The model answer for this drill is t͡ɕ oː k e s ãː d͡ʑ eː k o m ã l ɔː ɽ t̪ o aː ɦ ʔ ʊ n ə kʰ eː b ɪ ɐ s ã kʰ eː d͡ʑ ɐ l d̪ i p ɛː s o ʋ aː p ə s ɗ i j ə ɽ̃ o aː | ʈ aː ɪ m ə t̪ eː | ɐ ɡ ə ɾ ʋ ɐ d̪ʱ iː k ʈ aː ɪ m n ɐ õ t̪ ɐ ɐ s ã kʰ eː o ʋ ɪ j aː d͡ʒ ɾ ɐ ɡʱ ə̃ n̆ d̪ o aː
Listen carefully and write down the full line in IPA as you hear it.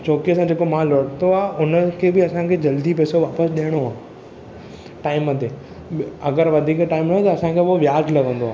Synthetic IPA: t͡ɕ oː k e s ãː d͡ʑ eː k o m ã l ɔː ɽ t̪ o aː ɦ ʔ ʊ n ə kʰ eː b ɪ ɐ s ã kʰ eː d͡ʑ ɐ l d̪ i p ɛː s o ʋ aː p ə s ɗ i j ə ɽ̃ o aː | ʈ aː ɪ m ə t̪ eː | ɐ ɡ ə ɾ ʋ ɐ d̪ʱ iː k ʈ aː ɪ m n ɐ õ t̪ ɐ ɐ s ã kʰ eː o ʋ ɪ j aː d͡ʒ l ɐ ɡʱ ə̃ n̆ d̪ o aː